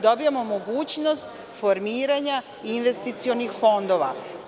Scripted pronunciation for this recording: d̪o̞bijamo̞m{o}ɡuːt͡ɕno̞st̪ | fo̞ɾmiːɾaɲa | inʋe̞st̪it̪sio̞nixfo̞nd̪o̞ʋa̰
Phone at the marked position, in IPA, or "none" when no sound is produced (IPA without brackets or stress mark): o